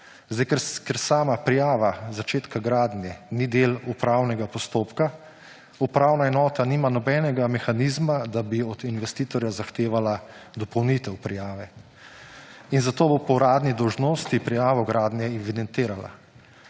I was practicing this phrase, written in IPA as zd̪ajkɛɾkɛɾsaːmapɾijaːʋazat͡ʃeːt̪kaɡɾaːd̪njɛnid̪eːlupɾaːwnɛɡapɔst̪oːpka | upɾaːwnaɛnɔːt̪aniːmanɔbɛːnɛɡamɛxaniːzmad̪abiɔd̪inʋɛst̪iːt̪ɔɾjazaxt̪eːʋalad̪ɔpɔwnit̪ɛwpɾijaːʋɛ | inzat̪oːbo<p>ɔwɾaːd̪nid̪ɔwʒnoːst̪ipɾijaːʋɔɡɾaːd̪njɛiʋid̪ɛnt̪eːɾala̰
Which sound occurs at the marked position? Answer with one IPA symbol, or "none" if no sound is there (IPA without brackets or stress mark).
p